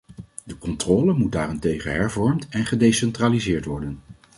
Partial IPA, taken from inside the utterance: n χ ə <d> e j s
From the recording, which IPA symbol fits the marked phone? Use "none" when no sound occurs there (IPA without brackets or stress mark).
d